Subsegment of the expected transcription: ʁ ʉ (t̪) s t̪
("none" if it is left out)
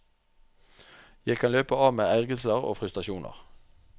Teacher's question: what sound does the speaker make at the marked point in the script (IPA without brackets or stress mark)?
none